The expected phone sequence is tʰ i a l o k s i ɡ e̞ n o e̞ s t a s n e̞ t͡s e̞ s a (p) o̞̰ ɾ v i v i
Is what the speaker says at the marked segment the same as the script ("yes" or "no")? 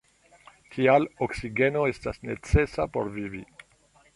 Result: yes